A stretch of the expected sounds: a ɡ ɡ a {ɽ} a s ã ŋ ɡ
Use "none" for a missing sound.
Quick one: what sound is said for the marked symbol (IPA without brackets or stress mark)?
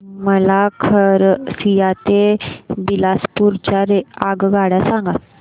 ɽ